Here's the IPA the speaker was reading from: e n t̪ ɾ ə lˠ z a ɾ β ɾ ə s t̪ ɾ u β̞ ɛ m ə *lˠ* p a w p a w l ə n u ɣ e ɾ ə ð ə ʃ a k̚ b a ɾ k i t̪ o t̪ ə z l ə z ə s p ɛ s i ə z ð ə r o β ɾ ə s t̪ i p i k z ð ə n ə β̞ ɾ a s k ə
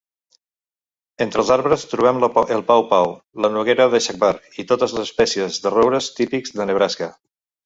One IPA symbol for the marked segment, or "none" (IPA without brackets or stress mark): lˠ